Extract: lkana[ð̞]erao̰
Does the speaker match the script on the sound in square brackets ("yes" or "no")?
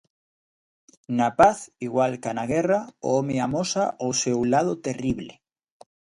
no